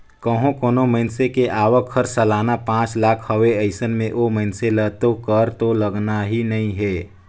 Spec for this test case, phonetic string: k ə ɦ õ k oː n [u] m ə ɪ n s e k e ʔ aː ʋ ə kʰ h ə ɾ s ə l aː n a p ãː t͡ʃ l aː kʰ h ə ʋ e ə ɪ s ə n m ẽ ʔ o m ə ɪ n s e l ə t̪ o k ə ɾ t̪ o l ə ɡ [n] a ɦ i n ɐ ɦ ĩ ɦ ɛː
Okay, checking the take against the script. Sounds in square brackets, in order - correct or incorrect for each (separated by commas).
incorrect, correct